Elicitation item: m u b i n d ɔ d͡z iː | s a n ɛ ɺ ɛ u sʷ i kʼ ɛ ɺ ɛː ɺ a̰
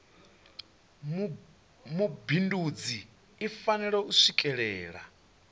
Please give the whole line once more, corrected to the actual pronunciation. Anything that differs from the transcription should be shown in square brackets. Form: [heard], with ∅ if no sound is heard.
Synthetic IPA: m u b i n d [u] d͡z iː | [f] a n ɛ ɺ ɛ u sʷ i kʼ ɛ ɺ ɛː ɺ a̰